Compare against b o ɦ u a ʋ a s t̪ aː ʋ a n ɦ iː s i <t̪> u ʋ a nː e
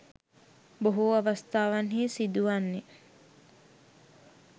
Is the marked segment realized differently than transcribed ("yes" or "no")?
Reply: yes